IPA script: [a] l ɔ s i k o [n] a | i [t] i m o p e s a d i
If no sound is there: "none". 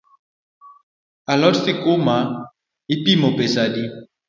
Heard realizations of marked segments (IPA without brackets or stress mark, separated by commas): a, m, p